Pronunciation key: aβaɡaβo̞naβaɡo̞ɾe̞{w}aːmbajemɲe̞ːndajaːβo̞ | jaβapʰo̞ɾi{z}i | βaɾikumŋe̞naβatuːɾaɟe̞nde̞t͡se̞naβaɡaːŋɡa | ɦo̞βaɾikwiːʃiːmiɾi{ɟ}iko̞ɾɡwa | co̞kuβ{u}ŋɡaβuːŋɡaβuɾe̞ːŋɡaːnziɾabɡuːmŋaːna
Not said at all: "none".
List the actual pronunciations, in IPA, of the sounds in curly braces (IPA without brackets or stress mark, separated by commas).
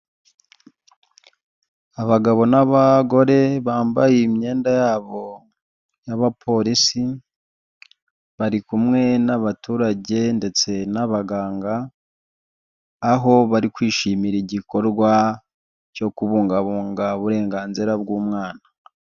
β, s, ɟ, uː